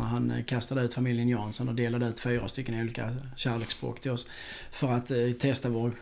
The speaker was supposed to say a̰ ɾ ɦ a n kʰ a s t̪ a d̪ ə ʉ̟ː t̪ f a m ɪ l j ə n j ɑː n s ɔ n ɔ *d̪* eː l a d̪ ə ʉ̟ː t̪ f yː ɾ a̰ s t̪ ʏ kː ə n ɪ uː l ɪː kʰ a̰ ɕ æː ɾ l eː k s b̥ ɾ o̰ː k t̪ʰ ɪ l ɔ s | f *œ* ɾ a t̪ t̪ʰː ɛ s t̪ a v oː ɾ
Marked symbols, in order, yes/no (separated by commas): yes, yes